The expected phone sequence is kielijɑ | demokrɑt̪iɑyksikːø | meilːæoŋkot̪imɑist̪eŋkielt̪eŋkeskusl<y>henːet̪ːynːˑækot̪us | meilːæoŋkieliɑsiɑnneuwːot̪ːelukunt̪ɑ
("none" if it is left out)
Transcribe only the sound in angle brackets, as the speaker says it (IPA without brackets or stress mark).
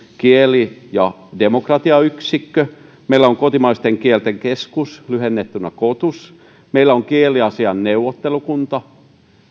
y